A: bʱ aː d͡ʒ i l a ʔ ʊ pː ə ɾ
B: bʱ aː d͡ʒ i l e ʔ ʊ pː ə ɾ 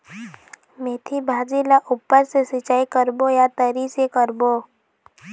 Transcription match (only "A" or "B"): A